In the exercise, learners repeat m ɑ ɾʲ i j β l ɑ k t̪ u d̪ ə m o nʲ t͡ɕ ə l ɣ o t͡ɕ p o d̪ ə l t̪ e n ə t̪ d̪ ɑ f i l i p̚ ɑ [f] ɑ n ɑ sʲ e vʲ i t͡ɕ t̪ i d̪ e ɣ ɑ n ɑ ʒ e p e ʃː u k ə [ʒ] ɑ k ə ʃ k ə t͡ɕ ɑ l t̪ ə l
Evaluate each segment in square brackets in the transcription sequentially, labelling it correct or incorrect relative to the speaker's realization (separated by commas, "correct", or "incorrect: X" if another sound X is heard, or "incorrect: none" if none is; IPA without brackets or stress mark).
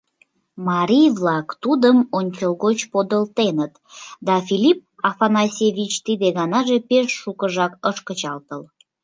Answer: correct, correct